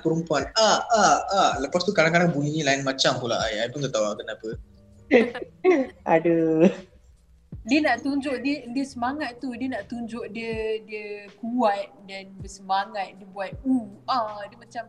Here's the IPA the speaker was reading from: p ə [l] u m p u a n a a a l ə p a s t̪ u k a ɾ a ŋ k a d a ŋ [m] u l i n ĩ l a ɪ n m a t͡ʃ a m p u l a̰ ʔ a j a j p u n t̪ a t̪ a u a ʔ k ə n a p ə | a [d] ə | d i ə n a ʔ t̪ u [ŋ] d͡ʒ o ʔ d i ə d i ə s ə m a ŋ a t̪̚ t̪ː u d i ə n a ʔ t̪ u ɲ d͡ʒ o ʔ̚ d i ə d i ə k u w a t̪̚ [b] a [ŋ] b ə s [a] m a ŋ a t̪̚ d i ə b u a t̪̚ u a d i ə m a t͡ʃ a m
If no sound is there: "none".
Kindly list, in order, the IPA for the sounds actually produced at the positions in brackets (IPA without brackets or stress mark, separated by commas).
ɾ, b, d, ɲ, d, n, ə